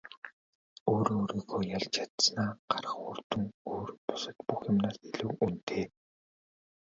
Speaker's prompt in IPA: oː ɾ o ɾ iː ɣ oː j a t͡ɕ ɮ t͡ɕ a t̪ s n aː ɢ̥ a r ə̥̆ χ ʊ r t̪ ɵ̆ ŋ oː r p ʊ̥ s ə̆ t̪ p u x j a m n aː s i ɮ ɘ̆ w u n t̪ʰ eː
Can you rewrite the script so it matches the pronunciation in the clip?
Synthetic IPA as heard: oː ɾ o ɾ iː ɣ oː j a ɮ t͡ɕ a t̪ s n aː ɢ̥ a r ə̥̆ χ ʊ r t̪ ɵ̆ ŋ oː r p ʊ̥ s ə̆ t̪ p u x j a m n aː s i ɮ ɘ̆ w u n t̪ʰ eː